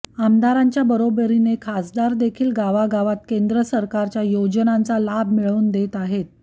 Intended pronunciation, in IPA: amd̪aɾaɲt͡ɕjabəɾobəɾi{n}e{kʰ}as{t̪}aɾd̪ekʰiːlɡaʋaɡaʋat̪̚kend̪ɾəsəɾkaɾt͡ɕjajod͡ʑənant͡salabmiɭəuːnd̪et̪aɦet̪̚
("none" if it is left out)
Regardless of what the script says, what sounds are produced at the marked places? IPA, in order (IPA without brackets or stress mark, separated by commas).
n, kʰ, d̪